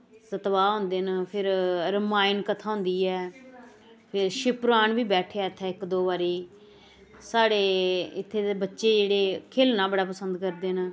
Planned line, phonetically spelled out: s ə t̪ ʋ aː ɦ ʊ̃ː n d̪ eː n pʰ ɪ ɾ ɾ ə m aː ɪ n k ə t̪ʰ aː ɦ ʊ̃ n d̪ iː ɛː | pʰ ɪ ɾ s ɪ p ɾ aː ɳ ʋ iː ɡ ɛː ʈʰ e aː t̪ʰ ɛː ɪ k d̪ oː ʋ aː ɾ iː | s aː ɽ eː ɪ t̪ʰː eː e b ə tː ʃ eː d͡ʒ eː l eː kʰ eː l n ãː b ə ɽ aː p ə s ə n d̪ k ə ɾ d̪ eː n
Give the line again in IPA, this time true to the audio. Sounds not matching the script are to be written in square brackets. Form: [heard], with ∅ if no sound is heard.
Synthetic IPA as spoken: s ə t̪ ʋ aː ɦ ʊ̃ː n d̪ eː n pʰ ɪ ɾ ɾ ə m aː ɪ n k ə t̪ʰ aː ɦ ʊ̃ n d̪ iː ɛː | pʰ ɪ ɾ [ʃ] ɪ p ɾ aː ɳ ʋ iː [b] ɛː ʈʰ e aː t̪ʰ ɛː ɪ k d̪ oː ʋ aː ɾ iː | s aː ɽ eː ɪ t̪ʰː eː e b ə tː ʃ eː d͡ʒ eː [ɽ] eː kʰ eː l n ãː b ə ɽ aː p ə s ə n d̪ k ə ɾ d̪ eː n